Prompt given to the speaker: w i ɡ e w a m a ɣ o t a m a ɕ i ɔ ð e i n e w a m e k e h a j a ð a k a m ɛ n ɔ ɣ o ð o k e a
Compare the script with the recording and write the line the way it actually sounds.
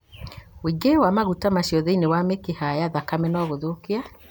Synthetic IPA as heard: w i ɡ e w a m a ɣ u t a m a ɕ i ɔ ð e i n e w a m e k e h a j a ð a k a m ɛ n ɔ ɣ o ð o k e a